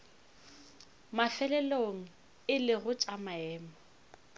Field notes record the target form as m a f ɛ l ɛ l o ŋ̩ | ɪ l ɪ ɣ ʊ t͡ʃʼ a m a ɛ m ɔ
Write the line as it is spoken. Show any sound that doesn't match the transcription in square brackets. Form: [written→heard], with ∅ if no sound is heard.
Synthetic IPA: m a f ɛ l ɛ l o ŋ̩ | ɪ l ɪ ɣ ʊ t͡ʃʼ a m a [ɛ→ɛː] m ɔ